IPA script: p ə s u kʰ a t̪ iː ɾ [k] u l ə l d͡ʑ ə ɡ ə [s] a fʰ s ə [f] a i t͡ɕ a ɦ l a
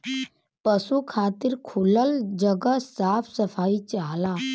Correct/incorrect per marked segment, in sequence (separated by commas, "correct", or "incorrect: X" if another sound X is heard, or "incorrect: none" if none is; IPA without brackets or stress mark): incorrect: kʰ, correct, correct